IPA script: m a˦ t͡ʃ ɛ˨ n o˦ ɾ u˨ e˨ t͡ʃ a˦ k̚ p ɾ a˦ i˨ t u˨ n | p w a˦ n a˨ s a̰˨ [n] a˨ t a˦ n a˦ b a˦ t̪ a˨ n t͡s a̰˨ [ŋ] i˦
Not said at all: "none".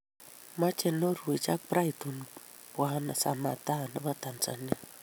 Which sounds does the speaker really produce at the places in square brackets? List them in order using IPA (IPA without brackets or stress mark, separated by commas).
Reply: m, n